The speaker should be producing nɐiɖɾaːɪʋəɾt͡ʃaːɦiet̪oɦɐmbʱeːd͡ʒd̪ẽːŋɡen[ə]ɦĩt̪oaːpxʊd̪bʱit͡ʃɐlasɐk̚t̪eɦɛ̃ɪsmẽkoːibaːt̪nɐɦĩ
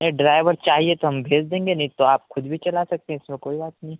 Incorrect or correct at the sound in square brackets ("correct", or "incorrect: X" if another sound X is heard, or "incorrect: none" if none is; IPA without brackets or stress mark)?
incorrect: ɐ